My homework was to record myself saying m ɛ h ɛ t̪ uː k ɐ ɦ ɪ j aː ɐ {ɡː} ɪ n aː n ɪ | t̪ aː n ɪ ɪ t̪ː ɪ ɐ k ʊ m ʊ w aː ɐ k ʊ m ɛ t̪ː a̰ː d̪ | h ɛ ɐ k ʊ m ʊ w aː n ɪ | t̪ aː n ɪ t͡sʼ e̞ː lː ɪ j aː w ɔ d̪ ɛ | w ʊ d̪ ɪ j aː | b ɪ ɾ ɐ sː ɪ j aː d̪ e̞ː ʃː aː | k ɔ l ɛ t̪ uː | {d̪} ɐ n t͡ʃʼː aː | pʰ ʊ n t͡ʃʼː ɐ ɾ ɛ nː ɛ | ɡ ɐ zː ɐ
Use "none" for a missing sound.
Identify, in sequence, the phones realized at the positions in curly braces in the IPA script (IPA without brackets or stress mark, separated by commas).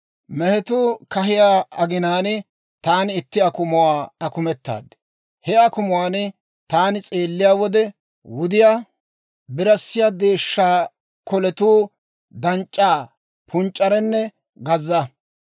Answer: ɡ, d̪